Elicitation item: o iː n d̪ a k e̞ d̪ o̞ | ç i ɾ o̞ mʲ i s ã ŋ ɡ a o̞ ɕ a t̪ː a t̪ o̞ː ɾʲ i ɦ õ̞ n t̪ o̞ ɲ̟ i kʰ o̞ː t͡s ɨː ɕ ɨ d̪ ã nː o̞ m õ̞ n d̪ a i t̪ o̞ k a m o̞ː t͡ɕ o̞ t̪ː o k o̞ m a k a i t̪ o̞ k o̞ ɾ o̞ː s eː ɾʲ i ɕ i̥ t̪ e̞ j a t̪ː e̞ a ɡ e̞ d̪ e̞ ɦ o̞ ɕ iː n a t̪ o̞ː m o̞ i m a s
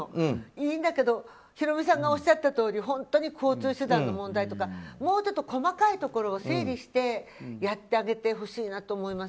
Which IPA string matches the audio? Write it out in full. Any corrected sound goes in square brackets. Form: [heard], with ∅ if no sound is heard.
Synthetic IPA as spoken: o iː n d̪ a k e̞ d̪ o̞ | ç i ɾ o̞ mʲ i s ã ŋ ɡ a o̞ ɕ a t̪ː a t̪ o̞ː ɾʲ i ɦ õ̞ n t̪ o̞ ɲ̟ i kʰ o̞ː t͡s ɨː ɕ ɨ d̪ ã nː o̞ m õ̞ n d̪ a i t̪ o̞ k a m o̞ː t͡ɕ o̞ t̪ː o k o̞ m a k a i t̪ o̞ k o̞ ɾ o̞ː s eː ɾʲ i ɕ i̥ t̪ e̞ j a t̪ː e̞ a ɡ e̞ [t̪] e̞ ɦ o̞ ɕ iː n a t̪ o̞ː m o̞ i m a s